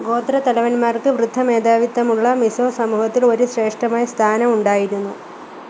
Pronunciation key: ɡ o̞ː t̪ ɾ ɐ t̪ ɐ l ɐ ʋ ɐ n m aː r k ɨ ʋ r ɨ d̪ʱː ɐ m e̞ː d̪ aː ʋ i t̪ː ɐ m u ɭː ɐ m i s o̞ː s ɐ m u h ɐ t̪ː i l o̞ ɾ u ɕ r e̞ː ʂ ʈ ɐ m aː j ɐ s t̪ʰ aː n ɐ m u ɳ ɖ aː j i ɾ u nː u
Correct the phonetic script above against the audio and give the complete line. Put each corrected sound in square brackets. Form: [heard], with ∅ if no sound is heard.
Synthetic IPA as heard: ɡ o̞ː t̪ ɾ ɐ t̪ ɐ l ɐ ʋ ɐ n m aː r k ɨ ʋ r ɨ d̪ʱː ɐ m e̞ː d̪ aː ʋ i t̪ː ɐ m u ɭː ɐ m i s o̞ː s ɐ m [uː] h ɐ t̪ː i l o̞ ɾ u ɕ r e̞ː ʂ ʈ ɐ m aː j ɐ s t̪ʰ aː n ɐ m u ɳ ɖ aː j i ɾ u nː u